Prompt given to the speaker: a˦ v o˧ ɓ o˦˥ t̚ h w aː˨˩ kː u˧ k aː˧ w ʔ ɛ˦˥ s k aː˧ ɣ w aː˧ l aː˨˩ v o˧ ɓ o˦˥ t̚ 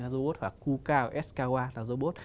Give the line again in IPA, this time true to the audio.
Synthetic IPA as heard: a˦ z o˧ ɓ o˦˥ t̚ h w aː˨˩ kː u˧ k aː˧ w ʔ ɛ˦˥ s k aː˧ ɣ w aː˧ l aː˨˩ z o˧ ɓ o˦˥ t̚

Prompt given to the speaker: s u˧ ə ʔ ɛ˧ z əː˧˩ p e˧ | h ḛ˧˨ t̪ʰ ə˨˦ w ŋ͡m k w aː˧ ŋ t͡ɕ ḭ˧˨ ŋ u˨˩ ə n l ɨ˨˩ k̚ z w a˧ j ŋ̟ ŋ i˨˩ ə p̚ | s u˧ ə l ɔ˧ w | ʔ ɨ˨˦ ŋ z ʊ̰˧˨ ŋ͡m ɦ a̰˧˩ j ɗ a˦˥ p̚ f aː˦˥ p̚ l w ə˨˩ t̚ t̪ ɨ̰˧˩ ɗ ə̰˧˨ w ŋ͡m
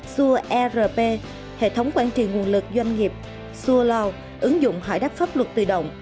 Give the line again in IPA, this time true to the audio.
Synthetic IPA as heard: s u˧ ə ʔ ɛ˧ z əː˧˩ p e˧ | h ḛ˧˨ t̪ʰ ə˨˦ w ŋ͡m k w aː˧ n t͡ɕ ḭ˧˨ ŋ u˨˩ ə n l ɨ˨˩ k̚ z w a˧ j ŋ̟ ŋ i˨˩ ə p̚ | s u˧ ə l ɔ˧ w | ʔ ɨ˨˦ ŋ z ʊ̰˧˨ ŋ͡m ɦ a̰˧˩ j ɗ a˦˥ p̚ f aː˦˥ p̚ l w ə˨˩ t̚ t̪ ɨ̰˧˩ ɗ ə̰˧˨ w ŋ͡m

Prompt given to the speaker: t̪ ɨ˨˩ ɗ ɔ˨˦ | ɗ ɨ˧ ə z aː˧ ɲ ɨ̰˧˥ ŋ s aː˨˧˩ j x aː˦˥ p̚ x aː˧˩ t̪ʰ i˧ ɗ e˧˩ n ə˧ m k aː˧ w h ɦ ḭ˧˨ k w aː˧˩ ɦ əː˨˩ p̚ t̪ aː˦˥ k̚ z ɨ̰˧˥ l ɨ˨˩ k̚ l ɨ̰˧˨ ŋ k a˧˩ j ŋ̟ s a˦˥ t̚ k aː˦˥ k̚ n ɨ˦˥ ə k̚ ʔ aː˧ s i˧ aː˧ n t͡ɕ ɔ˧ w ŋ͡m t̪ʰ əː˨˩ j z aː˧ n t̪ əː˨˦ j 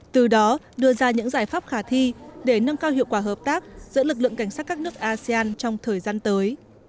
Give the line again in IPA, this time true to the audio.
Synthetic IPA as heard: t̪ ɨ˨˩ ɗ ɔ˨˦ | ɗ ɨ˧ ə z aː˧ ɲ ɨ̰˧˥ ŋ z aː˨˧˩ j f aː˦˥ p̚ x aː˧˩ t̪ʰ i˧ ɗ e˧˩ n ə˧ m k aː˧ w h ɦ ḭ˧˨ k w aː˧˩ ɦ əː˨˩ p̚ t̪ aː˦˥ k̚ z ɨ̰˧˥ l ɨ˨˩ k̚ l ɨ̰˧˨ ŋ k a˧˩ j ŋ̟ s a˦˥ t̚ k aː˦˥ k̚ n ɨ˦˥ ə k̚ ʔ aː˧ s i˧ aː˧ n t͡ɕ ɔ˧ w ŋ͡m t̪ʰ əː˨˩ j z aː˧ n t̪ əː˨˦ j

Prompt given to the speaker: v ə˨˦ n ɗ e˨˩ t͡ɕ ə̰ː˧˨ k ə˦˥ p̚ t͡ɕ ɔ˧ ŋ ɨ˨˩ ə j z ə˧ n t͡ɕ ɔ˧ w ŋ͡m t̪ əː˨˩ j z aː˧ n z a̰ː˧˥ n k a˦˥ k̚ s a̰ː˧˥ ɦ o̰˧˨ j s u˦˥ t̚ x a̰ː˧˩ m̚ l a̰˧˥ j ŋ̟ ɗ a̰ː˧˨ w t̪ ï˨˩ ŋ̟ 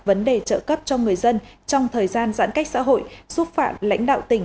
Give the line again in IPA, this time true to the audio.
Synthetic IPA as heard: v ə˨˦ n ɗ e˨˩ t͡ɕ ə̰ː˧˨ k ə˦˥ p̚ t͡ɕ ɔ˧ ŋ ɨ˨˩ ə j z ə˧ n t͡ɕ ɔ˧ w ŋ͡m t̪ʰ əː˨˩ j z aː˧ n z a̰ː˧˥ n k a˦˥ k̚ s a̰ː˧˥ ɦ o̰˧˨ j s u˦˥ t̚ f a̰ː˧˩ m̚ l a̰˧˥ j ŋ̟ ɗ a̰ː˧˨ w t̪ ï˨˩ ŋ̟

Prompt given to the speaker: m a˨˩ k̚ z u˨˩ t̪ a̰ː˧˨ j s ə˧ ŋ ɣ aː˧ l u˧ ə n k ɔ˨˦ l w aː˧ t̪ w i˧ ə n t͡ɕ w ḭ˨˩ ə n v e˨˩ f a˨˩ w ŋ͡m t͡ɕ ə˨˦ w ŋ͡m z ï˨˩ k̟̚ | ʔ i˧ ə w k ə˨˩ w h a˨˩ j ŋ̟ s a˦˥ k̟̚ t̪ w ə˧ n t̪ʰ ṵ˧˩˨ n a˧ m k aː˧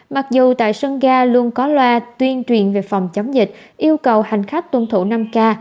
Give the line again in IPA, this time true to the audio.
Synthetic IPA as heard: m a˨˩ k̚ z u˨˩ t̪ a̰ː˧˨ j s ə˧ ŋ ɣ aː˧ l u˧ ə n k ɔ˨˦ l w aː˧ t̪ w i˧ ə n t͡ɕ w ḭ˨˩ ə n v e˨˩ f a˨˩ w ŋ͡m t͡ɕ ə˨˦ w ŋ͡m z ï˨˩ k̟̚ | ʔ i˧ ə w k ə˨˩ w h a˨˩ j ŋ̟ x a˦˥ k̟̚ t̪ w ə˧ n t̪ʰ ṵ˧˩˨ n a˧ m k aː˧

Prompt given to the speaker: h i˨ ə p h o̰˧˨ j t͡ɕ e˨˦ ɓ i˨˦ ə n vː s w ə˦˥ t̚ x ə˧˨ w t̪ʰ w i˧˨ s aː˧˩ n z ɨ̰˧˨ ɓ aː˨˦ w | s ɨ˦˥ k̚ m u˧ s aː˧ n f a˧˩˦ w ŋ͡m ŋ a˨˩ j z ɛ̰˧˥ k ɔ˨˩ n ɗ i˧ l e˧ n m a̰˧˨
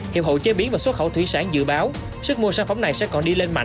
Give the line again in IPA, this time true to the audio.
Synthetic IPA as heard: h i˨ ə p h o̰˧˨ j t͡ɕ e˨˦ ɓ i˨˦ ə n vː s w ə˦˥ t̚ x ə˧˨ w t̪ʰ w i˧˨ s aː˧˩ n z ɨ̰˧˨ ɓ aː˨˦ w | s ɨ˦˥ k̚ m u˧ s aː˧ n f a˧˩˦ w ŋ͡m n a˨˩ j s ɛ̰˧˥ k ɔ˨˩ n ɗ i˧ l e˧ n m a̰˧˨

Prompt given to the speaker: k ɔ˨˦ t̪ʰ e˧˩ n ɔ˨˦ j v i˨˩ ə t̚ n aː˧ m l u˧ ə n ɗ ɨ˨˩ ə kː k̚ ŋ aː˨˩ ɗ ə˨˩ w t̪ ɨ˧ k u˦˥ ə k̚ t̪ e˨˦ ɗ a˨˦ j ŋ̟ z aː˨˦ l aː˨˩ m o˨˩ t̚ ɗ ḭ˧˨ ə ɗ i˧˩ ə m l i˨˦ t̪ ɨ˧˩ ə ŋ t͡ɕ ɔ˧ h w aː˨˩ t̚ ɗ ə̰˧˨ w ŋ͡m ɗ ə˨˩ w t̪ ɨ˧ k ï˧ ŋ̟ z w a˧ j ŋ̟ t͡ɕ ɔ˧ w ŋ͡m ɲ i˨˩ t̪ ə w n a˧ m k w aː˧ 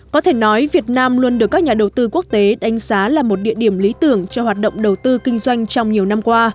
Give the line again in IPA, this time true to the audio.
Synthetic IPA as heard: k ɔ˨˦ t̪ʰ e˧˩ n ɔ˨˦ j v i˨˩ ə t̚ n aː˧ m l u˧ ə n ɗ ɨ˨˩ ə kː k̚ ɲ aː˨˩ ɗ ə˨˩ w t̪ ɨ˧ k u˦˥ ə k̚ t̪ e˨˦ ɗ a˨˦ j ŋ̟ z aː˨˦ l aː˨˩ m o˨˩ t̚ ɗ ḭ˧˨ ə ɗ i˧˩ ə m l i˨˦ t̪ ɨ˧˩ ə ŋ t͡ɕ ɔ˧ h w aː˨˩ t̚ ɗ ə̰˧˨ w ŋ͡m ɗ ə˨˩ w t̪ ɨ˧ k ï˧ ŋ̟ z w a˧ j ŋ̟ t͡ɕ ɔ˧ w ŋ͡m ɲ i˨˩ ə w n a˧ m k w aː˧

